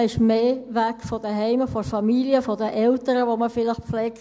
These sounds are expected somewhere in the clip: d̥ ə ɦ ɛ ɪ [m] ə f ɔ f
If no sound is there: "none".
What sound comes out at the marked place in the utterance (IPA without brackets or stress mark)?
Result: m